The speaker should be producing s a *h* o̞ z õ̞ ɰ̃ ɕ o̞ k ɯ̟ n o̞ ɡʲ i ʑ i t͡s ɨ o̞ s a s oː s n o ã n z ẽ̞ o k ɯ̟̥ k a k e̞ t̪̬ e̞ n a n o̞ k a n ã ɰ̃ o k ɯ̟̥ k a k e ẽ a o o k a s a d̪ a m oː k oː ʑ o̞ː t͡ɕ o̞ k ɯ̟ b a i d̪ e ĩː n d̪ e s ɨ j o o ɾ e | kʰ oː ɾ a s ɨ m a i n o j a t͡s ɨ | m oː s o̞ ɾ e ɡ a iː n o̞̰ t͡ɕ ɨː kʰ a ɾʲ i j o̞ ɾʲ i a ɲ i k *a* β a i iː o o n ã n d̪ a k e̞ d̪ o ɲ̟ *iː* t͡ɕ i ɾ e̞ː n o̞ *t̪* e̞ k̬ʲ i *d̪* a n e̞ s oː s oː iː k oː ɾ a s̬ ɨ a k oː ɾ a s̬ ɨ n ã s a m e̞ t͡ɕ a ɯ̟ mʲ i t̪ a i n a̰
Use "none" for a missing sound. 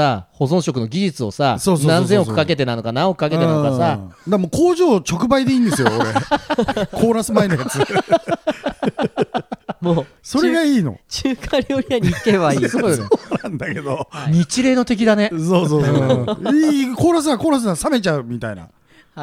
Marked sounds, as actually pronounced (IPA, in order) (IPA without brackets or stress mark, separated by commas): h, e, i, t̪, d̪